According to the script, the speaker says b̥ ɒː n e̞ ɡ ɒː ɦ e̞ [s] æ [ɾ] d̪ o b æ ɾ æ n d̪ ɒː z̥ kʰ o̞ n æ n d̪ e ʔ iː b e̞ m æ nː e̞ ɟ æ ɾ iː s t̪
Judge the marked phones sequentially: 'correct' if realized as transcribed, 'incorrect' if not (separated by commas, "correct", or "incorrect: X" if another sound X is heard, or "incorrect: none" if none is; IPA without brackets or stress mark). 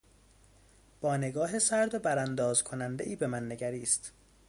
correct, correct